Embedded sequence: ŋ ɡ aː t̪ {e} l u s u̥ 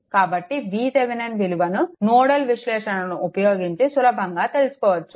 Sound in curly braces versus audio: correct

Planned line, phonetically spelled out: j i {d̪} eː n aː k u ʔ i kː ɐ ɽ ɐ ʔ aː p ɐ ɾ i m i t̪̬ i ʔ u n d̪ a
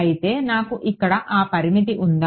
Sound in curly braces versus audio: incorrect: t̪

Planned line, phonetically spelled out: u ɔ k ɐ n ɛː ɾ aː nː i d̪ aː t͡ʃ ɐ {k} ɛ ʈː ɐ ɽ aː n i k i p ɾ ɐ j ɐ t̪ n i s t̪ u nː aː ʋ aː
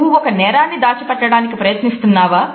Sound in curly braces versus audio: incorrect: p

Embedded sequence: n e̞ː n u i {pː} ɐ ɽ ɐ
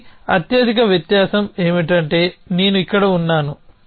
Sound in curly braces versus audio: incorrect: kː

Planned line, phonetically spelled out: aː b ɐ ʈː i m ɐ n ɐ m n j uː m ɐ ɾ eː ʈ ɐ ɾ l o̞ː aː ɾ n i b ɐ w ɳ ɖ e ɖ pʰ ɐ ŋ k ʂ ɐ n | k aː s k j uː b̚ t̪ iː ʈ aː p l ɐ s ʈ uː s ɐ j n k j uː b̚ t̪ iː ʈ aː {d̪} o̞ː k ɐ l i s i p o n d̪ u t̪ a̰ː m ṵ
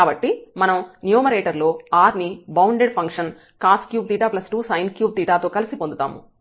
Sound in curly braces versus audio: incorrect: t̪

